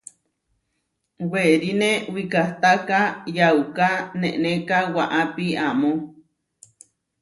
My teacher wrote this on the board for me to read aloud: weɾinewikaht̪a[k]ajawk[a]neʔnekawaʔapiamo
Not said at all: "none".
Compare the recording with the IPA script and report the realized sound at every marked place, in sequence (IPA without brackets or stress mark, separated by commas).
k, a